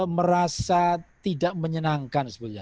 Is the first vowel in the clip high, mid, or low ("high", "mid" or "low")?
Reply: mid